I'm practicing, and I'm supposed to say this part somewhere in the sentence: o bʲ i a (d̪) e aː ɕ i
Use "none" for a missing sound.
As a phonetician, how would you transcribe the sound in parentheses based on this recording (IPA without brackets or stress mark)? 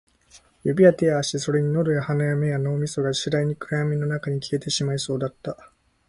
t̪